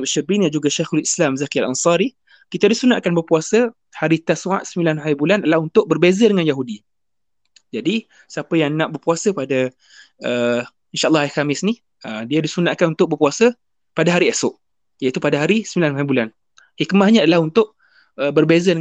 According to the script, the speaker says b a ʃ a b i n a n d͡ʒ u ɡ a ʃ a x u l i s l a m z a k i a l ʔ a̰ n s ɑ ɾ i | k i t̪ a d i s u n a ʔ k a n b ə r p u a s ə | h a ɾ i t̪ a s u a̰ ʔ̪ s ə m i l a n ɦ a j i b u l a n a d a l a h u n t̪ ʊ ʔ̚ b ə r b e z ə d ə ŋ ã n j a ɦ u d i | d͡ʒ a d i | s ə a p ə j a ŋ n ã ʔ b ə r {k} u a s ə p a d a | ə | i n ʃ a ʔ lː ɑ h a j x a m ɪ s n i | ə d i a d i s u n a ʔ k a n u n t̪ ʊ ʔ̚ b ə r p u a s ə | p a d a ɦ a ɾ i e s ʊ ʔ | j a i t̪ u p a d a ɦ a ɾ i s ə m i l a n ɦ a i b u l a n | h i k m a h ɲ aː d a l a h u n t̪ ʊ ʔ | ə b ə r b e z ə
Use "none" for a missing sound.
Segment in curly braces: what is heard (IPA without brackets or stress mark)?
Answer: p